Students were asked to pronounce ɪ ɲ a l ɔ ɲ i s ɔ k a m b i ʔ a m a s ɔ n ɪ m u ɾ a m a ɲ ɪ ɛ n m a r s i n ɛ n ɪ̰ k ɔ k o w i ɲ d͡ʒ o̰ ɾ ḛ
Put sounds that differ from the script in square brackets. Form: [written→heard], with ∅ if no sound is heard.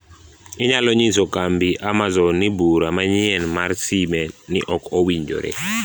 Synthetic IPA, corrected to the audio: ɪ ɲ a l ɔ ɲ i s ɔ k a m b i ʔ a m a [s→z] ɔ n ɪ [m→b] u ɾ a m a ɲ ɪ ɛ n m a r s i [n→m] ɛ n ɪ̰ [k→ʔ] ɔ k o w i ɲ d͡ʒ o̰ ɾ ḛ